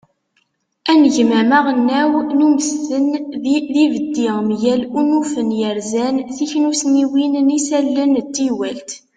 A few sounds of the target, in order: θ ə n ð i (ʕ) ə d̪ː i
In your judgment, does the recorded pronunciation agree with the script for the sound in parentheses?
no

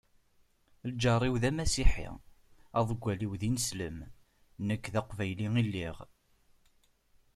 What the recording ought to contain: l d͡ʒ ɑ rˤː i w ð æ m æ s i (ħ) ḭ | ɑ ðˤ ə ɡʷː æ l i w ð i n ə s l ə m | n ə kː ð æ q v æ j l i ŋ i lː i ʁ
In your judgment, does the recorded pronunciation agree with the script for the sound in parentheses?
yes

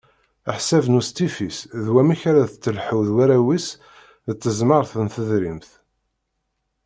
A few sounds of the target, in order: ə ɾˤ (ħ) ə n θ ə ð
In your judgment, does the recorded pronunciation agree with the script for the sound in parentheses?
no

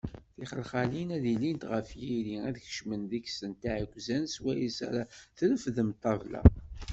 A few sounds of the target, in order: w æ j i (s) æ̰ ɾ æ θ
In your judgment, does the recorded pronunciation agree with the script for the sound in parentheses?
yes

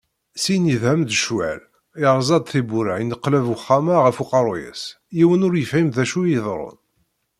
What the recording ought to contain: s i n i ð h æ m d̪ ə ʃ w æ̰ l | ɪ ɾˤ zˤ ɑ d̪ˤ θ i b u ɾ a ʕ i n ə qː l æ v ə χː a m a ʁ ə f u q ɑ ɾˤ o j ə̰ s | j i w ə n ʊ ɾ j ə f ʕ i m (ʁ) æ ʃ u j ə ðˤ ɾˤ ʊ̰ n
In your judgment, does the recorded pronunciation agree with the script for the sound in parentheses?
no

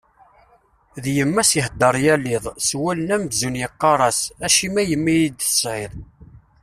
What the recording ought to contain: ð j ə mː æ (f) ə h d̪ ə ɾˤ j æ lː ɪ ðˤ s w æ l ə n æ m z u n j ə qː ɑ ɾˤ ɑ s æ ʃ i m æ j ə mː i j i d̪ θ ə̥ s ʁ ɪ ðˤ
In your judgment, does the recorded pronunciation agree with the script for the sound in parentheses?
no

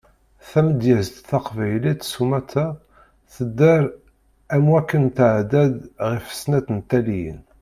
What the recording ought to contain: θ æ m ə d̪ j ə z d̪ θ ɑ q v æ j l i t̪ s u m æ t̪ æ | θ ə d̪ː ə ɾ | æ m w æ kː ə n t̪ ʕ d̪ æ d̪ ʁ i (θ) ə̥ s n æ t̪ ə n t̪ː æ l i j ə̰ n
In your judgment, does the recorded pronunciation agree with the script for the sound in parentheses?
no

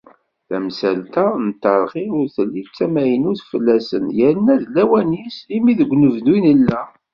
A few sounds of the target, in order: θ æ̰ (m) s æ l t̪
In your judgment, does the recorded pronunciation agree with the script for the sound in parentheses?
yes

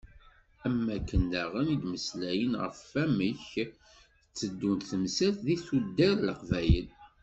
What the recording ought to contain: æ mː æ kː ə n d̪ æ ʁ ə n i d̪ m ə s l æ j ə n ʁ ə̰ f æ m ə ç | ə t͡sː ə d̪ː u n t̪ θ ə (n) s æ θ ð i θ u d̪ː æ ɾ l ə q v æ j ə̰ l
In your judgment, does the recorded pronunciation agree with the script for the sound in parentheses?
no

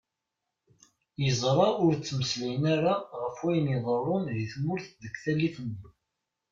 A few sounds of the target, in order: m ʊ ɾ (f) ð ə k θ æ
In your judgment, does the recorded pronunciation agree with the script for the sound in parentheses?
no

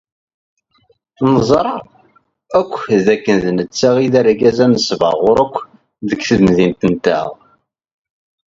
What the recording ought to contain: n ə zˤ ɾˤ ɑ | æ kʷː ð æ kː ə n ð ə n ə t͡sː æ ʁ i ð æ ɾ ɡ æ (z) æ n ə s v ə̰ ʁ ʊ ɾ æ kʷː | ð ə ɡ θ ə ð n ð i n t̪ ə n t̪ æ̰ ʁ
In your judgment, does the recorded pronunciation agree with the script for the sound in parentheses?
yes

